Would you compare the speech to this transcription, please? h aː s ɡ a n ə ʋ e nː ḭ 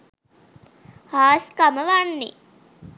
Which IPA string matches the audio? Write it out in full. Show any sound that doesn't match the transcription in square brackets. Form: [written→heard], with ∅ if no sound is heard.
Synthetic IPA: h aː s [ɡ→k] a [n→m] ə ʋ [e→a] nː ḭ